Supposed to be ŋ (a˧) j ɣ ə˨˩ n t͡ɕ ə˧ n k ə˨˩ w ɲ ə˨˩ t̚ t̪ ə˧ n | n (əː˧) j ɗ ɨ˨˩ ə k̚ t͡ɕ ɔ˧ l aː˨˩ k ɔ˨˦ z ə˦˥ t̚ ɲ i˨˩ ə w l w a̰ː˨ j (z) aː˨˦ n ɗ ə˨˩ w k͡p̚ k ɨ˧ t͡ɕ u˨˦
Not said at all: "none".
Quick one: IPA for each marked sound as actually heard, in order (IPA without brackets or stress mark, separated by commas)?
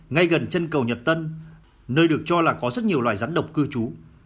a˧, əː˧, z